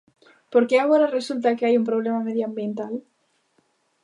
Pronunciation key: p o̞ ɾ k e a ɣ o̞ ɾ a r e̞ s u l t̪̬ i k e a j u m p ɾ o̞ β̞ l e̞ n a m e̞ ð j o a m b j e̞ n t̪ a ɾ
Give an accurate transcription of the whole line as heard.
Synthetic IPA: p o̞ ɾ k e a ɣ o̞ ɾ a r e̞ s u l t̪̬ a k e a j u m p ɾ o̞ β̞ l e̞ m a m e̞ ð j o a m b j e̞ n t̪ a l